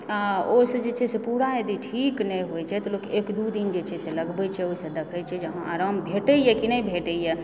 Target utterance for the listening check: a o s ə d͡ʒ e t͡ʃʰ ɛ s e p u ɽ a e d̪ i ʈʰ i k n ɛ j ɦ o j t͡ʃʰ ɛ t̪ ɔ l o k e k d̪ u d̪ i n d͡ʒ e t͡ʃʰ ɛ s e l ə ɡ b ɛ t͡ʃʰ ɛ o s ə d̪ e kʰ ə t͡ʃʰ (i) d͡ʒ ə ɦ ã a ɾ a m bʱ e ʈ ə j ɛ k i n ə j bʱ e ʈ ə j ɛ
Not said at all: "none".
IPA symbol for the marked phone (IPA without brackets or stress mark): ɛ